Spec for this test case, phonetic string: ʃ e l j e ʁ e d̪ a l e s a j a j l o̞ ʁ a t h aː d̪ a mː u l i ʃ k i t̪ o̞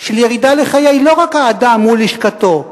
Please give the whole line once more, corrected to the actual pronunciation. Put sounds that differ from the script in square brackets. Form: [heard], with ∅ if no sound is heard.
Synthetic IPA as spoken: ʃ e l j e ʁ [i] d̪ a l e [χ] a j a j l o̞ ʁ a [k] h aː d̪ a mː u l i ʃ k [a] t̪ o̞